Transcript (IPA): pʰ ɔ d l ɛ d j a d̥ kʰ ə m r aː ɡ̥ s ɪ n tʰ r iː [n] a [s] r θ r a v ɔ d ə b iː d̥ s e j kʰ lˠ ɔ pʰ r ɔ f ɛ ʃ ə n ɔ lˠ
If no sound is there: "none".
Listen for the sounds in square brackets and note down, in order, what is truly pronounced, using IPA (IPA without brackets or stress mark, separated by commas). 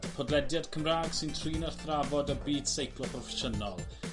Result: n, none